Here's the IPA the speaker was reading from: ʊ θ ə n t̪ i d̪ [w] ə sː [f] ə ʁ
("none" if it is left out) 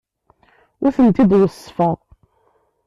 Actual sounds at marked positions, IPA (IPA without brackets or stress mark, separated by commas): w, f